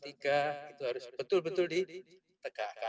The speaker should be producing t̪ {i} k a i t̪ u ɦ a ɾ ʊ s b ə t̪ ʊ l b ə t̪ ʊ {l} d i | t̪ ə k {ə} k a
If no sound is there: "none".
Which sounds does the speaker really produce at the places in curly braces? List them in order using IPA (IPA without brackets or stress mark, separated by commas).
i, l, a